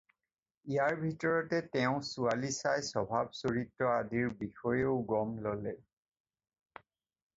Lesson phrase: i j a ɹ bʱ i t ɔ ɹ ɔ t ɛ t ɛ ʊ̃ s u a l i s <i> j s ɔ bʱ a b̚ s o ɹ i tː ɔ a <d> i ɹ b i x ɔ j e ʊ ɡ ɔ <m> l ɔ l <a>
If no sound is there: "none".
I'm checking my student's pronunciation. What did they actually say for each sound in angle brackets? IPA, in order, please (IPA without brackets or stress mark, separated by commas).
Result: a, d, m, ɛ